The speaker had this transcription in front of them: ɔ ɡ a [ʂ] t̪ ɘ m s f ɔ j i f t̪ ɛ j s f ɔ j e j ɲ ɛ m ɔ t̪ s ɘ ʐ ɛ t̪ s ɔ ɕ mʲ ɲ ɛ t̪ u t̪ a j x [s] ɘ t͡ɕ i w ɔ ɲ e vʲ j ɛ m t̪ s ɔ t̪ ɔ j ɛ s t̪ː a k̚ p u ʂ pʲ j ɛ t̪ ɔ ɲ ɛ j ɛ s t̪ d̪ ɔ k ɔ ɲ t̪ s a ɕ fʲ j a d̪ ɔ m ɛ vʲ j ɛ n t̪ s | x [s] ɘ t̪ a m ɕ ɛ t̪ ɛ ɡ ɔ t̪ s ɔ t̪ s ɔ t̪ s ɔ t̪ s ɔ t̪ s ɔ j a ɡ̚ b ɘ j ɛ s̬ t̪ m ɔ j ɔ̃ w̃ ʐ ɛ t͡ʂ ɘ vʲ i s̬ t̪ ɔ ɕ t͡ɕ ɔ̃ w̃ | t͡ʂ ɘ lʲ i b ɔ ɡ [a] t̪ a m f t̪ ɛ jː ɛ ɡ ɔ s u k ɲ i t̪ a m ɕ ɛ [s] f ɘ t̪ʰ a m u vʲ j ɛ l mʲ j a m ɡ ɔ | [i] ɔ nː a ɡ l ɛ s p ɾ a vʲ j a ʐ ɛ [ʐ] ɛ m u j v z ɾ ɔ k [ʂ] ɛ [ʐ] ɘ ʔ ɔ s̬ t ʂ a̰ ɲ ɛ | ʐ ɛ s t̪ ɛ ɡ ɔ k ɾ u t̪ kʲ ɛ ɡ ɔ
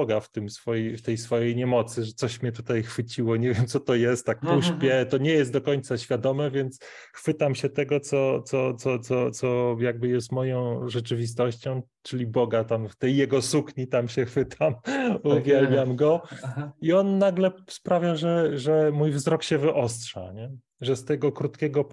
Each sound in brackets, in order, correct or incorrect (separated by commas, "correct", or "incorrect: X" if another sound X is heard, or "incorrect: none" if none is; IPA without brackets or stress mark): incorrect: f, incorrect: f, incorrect: f, correct, incorrect: x, correct, correct, incorrect: ɕ, incorrect: v